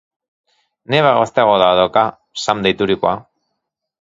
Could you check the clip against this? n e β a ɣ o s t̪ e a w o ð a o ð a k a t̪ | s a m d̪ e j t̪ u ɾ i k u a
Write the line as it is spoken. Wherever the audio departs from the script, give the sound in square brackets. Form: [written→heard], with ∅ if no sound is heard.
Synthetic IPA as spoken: n e β a ɣ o s t̪ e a [w→ɣ] o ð a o ð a k a [t̪→∅] | s a m d̪ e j t̪ u ɾ i k [u→o] a